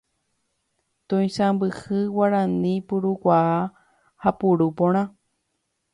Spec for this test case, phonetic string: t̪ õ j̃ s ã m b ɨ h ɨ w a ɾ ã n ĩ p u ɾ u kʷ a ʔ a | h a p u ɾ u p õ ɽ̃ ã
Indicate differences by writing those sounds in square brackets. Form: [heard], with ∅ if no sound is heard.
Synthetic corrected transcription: t̪ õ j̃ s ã m b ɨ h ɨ w a ɾ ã n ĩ p u ɾ u kʷ a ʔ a | h a p u ɾ u p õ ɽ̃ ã